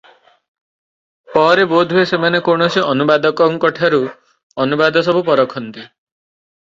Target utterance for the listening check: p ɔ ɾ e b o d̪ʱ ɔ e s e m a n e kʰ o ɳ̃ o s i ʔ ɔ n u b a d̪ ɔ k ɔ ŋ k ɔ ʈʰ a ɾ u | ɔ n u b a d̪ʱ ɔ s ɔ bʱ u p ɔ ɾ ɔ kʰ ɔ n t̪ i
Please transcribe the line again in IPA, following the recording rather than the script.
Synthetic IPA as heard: p ɔ ɾ e b o d̪ʱ u e s e m a n e k o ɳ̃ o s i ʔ ɔ n u b a d̪ ɔ k ɔ ŋ k ɔ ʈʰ a ɾ u | ɔ n u b a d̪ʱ ɔ s ɔ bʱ u p ɔ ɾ ɔ kʰ ɔ n t̪ i